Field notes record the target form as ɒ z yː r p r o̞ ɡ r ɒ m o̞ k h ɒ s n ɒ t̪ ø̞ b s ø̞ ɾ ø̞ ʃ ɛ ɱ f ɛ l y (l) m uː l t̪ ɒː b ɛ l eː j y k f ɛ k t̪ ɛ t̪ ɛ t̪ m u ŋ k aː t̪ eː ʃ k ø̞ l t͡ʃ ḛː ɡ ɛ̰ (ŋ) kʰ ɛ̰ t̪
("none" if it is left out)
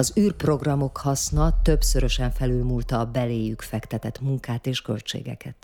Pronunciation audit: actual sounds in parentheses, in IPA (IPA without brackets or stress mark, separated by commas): l, none